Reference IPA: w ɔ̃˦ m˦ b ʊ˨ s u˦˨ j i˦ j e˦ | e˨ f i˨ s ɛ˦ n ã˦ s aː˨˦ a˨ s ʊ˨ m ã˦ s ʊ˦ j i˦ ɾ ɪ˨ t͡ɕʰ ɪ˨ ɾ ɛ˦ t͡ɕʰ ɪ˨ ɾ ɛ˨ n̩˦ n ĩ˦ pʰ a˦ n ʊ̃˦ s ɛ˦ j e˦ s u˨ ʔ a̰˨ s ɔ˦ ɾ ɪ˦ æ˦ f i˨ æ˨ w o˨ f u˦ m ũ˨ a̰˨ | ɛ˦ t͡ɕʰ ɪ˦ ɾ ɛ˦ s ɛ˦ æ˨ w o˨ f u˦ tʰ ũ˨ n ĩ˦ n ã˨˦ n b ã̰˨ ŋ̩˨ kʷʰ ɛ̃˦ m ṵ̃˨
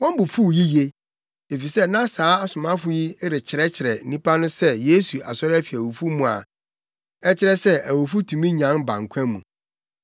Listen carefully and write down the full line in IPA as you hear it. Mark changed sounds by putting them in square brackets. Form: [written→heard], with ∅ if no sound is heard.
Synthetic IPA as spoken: w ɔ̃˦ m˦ b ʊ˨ [s→f] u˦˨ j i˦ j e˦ | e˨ f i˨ s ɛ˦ n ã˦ s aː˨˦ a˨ s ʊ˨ m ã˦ [s→f] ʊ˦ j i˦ ɾ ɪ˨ t͡ɕʰ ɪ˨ ɾ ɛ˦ t͡ɕʰ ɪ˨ ɾ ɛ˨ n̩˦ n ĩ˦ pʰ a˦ n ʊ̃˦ s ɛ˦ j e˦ s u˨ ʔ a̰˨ s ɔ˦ ɾ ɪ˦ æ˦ f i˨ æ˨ w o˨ f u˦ m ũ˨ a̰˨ | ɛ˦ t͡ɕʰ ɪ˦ ɾ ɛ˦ s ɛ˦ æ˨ w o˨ f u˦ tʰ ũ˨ [n→m] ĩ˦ [n→ɲ] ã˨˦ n b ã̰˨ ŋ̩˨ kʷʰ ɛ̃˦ m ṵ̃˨

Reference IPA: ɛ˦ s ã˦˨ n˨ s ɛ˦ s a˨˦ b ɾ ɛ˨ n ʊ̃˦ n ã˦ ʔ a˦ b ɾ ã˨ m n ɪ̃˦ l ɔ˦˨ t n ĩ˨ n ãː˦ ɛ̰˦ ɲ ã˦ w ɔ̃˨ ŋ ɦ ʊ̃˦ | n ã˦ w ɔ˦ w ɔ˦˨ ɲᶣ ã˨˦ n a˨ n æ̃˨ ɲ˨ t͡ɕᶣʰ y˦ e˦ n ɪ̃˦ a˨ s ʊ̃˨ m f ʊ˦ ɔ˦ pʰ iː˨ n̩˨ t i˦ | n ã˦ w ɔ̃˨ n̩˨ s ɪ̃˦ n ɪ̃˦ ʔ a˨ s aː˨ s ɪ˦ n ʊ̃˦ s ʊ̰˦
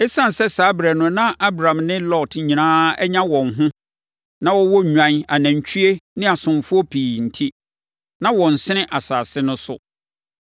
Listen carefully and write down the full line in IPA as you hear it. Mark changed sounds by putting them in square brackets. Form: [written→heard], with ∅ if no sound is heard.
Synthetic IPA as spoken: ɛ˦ s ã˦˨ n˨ s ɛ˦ s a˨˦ b ɾ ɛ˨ n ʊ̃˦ n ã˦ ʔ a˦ b ɾ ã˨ m n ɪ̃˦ l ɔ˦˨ t [n→ɲ] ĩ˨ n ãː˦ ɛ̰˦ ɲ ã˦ w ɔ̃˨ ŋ ɦ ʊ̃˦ | n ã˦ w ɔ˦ w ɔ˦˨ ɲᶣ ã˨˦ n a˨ n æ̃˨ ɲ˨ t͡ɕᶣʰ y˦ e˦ n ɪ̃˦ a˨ s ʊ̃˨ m f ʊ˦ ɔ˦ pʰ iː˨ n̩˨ [t→tʰ] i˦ | n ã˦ w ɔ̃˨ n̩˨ s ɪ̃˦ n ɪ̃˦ ʔ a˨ s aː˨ s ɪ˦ n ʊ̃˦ s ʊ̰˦

